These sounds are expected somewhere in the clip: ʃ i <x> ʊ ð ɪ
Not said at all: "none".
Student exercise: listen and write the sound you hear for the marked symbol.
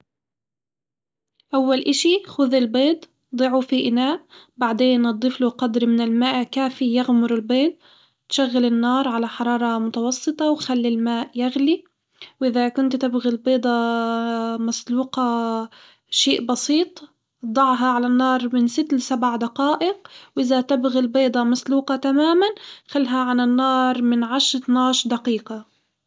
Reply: x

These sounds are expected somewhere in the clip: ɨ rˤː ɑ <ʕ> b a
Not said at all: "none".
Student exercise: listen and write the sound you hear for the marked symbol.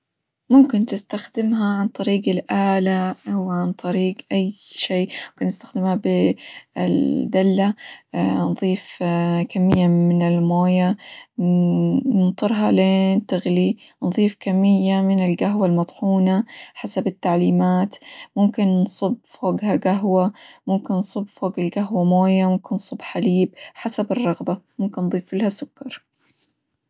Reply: ɣ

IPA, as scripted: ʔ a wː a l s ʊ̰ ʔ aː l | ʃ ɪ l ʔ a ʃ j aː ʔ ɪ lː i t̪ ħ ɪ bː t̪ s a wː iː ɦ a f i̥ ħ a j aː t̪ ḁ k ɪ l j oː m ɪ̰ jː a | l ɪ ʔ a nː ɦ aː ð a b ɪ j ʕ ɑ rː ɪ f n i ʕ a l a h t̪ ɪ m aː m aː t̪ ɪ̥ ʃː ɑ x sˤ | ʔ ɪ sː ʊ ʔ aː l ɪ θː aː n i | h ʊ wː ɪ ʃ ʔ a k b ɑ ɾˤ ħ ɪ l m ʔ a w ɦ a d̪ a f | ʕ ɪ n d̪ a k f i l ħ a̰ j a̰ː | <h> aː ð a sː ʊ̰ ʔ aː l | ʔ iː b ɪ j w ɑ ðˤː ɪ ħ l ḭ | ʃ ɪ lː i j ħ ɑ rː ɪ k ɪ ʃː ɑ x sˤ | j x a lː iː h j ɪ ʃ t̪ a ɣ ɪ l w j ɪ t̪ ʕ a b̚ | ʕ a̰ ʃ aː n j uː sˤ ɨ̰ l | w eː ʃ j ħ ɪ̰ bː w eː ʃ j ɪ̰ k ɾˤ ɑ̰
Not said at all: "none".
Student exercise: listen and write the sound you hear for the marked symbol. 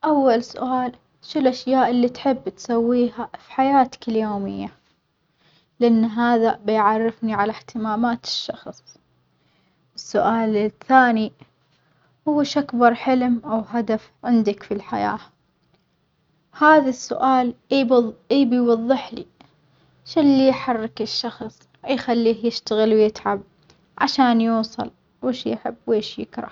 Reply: h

